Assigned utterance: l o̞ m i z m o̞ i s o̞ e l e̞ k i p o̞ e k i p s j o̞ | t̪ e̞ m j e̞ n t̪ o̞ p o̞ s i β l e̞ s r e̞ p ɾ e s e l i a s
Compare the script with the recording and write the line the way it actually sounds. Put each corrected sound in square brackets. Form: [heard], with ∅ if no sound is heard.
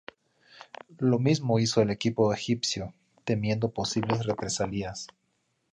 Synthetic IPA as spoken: l o̞ m i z m o̞ i s o̞ e l e̞ k i p o̞ e [x] i p s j o̞ | t̪ e̞ m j e̞ n [d̪] o̞ p o̞ s i β l e̞ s r e̞ p ɾ e s [a] l i a s